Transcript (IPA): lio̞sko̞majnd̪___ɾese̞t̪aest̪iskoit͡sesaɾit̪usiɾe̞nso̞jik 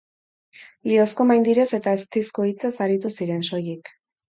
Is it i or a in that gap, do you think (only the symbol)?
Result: i